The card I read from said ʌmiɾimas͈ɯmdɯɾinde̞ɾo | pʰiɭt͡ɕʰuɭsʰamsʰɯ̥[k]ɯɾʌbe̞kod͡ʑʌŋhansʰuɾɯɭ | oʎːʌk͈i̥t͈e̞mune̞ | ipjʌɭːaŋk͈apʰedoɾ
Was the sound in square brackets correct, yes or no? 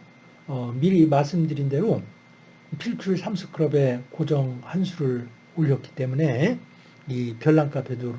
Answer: no